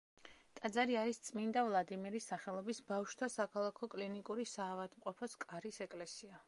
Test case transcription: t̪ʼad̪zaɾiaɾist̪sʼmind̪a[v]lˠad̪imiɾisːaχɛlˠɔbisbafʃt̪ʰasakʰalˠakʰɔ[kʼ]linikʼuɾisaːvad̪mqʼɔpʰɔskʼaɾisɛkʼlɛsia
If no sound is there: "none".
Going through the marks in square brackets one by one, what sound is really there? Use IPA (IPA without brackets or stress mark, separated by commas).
v, kʼ